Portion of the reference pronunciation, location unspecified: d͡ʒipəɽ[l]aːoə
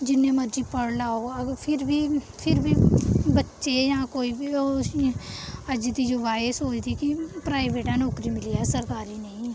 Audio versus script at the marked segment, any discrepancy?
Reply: no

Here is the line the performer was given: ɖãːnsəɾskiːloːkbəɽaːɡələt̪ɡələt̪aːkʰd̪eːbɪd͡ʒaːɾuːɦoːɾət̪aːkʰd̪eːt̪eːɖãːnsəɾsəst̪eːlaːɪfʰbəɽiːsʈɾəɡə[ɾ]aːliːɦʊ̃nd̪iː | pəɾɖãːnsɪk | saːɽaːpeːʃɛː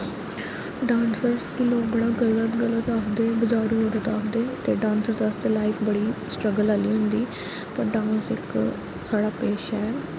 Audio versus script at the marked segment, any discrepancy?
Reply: yes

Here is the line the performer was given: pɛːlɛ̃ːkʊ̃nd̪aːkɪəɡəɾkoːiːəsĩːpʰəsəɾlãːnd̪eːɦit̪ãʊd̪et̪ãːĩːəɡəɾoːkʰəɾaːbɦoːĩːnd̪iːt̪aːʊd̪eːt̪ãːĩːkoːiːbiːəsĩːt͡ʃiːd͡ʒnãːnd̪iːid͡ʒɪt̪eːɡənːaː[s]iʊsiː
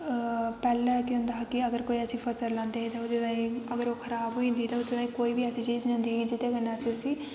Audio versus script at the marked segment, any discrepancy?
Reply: no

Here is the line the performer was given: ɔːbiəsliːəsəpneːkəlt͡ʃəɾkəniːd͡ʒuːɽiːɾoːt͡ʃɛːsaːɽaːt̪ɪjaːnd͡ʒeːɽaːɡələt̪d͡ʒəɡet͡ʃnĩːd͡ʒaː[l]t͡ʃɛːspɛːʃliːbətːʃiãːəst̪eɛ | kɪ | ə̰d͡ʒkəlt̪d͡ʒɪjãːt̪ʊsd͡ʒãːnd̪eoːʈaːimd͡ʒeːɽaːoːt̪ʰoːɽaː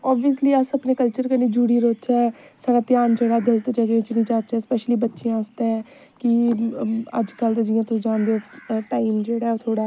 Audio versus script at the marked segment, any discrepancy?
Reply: yes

